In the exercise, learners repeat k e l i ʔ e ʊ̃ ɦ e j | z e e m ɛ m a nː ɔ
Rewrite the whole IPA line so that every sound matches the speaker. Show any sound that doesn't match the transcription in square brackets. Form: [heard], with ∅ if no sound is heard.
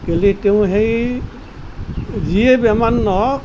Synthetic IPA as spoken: k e l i [t] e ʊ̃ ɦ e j | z [i] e [b] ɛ m a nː ɔ